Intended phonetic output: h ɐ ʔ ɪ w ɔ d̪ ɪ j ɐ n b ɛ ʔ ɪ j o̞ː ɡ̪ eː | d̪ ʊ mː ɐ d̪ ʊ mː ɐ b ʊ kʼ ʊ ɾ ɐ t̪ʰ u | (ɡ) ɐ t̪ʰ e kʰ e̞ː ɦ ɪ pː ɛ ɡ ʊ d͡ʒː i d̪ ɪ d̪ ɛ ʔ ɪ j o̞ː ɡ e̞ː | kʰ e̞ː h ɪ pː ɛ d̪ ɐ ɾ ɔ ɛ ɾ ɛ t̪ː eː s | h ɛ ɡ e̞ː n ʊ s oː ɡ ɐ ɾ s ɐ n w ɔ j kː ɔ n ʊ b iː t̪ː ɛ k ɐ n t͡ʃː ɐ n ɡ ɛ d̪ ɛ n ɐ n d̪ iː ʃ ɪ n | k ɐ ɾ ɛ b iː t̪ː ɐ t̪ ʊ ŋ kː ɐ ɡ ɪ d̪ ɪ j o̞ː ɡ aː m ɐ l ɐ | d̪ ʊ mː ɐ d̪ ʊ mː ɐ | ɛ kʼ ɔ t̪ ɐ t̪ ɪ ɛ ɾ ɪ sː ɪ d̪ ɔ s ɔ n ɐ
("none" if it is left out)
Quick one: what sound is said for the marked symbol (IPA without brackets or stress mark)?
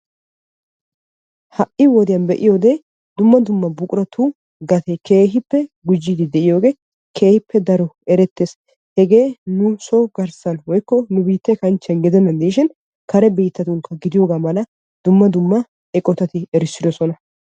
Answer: ɡ